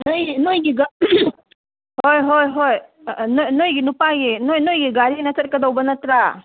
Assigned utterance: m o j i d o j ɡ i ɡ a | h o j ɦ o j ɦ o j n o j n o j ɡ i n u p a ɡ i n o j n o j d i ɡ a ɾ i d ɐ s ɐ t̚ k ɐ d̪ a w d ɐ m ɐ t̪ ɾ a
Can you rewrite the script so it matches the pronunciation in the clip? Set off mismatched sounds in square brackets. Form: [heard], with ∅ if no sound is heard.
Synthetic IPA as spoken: [n] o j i [n] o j ɡ i ɡ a | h o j ɦ o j ɦ o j n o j n o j ɡ i n u p a ɡ i n o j n o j [ɡ] i ɡ a ɾ i [n] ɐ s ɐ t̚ k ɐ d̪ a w [b] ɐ [n] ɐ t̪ ɾ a